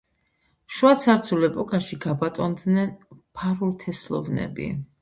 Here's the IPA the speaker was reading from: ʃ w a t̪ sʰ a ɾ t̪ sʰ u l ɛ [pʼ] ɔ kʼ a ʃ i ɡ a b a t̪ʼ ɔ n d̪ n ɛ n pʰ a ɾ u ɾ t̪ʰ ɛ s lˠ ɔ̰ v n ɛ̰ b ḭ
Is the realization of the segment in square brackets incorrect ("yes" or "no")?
no